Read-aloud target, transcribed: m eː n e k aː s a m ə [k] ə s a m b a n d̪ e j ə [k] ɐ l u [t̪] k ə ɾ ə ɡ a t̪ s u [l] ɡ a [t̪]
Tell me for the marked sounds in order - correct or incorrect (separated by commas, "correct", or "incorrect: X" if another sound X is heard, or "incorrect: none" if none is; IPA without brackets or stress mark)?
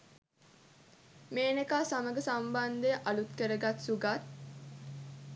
incorrect: ɡ, incorrect: ʔ, correct, incorrect: none, correct